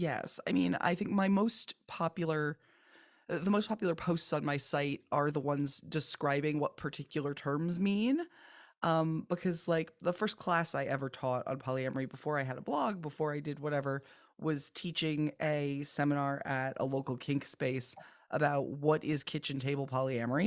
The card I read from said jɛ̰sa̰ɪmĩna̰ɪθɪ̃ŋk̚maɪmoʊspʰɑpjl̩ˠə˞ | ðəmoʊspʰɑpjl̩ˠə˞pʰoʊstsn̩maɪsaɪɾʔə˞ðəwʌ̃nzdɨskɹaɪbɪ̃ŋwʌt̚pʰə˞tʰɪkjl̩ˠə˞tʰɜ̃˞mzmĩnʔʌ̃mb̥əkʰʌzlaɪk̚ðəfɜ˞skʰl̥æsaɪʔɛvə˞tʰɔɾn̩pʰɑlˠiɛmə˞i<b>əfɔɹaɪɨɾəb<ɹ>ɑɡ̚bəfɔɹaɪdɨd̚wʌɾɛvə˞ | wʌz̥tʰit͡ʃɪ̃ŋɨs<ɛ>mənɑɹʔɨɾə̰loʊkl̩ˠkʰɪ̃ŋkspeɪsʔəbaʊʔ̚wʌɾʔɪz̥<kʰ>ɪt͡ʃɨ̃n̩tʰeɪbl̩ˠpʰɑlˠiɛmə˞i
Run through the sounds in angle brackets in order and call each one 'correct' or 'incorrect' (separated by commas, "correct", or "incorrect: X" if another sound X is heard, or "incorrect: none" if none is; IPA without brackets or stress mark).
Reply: correct, incorrect: l, correct, correct